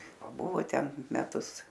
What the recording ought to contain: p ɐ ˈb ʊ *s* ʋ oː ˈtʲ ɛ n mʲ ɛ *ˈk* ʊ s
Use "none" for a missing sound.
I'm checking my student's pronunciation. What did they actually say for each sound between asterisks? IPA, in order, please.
none, t

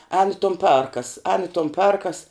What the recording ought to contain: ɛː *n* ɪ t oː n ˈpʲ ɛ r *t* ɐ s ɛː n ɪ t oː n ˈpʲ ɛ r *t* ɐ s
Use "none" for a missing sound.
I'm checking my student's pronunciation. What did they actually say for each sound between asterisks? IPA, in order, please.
n, k, k

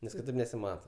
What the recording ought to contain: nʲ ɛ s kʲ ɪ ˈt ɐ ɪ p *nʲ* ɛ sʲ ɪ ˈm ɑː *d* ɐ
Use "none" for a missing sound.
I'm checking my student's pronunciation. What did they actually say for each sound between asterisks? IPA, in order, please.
nʲ, t

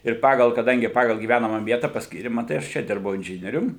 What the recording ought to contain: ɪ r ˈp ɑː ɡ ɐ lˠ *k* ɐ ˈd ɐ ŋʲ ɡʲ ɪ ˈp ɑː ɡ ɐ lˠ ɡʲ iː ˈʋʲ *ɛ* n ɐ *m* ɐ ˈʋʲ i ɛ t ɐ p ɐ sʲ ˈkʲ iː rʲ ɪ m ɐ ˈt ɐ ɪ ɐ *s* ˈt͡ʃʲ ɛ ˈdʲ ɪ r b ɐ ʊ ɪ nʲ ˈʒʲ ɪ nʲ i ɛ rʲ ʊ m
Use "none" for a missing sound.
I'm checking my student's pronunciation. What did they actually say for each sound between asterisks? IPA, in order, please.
k, æ, m, ʃ

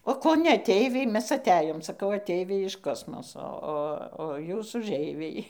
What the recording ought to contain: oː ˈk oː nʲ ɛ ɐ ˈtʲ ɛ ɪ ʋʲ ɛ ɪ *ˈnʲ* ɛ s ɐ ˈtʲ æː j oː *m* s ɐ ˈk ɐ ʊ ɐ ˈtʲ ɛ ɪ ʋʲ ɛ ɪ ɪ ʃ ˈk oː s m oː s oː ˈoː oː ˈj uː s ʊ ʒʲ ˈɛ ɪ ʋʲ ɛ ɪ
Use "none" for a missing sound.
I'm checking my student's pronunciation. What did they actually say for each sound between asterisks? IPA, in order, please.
mʲ, m

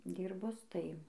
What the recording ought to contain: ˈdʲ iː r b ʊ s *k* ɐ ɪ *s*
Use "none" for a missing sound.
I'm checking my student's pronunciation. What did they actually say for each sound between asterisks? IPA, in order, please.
t, none

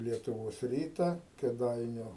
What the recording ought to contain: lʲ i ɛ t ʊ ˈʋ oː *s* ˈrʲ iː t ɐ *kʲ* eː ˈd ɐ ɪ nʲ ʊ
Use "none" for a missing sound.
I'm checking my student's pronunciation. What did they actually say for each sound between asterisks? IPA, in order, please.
s, kʲ

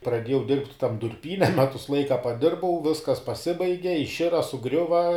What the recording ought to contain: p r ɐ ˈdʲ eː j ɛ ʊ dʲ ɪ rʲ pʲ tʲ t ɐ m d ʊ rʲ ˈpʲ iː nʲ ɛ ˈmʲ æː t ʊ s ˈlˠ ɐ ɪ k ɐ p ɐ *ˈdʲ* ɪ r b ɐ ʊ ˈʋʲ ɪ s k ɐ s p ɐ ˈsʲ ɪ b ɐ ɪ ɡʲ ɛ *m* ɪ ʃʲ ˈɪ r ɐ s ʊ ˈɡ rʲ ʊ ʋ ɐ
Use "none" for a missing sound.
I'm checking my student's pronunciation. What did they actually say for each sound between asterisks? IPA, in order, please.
dʲ, none

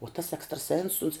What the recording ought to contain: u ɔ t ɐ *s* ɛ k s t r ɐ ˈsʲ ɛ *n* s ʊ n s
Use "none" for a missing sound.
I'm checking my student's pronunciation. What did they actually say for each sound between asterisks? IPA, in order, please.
s, n

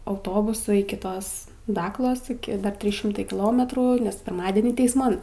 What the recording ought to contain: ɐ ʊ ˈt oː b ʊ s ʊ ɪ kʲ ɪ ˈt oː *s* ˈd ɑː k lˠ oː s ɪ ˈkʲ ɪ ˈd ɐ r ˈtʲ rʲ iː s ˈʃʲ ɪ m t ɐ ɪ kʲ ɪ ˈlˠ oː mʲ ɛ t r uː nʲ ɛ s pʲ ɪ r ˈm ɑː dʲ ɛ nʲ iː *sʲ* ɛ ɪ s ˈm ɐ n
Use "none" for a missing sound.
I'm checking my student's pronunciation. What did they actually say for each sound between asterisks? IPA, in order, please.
s, tʲ

